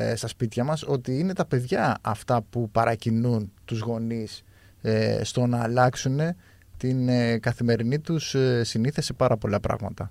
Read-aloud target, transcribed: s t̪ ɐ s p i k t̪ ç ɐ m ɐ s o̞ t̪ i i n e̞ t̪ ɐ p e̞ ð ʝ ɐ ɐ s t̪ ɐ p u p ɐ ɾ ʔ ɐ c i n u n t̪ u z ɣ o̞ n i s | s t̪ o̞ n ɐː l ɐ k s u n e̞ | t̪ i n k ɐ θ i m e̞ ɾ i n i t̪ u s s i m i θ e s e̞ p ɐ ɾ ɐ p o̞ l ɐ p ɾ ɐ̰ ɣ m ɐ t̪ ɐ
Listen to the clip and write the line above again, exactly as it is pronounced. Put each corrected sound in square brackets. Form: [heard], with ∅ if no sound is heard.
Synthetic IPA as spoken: s t̪ ɐ s p i [∅] t̪ ç ɐ m ɐ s o̞ t̪ i i n e̞ t̪ ɐ p e̞ ð ʝ ɐ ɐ [f] t̪ ɐ p u p ɐ ɾ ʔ ɐ c i n u n t̪ u z ɣ o̞ n i s | s t̪ o̞ n ɐː l ɐ k s u n e̞ | t̪ i n k ɐ θ i m e̞ ɾ i n i t̪ u s s i [n] i θ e s e̞ p ɐ ɾ ɐ p o̞ l ɐ p ɾ ɐ̰ ɣ m ɐ t̪ ɐ